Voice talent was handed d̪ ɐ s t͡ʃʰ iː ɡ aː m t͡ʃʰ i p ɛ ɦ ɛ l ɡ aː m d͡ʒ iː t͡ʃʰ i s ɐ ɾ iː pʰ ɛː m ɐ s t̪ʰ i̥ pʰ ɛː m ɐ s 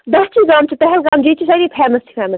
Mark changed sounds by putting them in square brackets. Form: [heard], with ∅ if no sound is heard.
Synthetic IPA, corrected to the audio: d̪ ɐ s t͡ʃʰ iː ɡ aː m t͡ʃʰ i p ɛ ɦ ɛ l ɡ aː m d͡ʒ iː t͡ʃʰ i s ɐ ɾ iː pʰ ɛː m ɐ s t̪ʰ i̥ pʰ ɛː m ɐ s